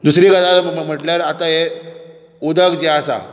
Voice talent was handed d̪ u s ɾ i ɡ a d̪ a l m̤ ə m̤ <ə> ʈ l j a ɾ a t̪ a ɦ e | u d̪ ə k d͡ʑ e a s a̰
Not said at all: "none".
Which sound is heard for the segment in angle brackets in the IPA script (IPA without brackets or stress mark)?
ə